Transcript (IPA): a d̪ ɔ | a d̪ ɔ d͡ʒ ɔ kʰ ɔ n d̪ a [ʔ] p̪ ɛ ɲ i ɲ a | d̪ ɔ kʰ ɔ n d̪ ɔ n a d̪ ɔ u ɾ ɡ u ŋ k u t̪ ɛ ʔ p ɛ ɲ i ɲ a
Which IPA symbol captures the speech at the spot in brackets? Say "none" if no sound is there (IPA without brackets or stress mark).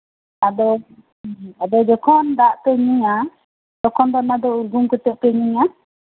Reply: ʔ